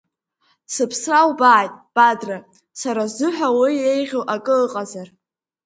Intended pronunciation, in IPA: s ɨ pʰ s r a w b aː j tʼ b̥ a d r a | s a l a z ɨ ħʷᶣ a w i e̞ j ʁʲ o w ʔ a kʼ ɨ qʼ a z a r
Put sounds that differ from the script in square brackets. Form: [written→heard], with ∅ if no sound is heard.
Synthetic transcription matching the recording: s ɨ pʰ s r a w b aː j tʼ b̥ a d r a | s a [l→ɾ] a z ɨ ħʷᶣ a w i e̞ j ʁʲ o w ʔ a kʼ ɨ qʼ a z a r